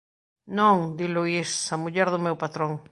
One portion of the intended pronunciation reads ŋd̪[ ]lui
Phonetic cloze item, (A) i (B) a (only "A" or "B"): A